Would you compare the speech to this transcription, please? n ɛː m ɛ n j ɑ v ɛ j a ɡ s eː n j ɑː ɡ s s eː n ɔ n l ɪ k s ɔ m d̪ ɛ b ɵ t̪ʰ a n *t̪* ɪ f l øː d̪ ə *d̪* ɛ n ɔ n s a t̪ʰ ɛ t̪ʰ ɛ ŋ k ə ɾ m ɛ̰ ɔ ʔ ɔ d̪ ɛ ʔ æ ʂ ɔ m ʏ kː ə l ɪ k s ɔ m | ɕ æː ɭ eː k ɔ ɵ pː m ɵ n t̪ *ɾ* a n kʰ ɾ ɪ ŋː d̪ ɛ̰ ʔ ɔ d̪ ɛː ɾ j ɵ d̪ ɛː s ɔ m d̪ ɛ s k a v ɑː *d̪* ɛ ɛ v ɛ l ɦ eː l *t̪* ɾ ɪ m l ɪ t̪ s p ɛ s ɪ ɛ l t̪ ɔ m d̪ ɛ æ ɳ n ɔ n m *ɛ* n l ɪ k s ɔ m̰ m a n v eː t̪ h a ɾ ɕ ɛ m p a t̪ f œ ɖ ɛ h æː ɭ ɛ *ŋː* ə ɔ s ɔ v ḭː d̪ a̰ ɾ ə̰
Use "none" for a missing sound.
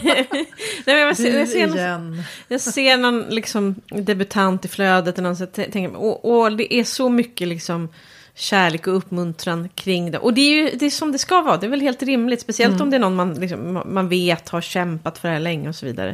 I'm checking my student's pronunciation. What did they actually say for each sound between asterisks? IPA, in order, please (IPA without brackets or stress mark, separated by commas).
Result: t̪, t̪, ɾ, d̪, t̪, a, ŋː